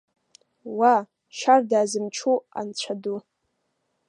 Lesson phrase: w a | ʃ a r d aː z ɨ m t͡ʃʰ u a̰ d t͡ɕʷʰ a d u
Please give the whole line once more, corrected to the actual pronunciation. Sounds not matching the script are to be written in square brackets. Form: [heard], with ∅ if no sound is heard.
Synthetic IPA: w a | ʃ a r d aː z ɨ m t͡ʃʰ u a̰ [n] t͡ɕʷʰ a d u